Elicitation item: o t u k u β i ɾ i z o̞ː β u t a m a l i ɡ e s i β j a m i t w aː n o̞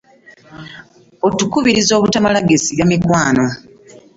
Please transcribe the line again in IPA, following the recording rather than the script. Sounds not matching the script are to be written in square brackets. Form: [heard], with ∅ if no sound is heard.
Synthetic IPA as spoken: o t u k u β i ɾ i z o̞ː β u t a m a l [a] ɡ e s i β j a m i [k] w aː n o̞